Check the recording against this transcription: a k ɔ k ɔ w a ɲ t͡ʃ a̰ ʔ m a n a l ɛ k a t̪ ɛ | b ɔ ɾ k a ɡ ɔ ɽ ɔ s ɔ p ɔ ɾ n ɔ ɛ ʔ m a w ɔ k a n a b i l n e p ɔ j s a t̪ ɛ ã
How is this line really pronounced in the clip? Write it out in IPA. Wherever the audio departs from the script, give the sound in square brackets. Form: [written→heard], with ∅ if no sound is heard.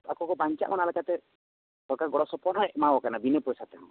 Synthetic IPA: a k ɔ k ɔ [w→b] a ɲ t͡ʃ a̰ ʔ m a n a l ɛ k a t̪ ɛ | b ɔ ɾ k a ɡ ɔ ɽ ɔ s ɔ p ɔ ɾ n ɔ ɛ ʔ m a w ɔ k a n a b i [l→∅] n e p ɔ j s a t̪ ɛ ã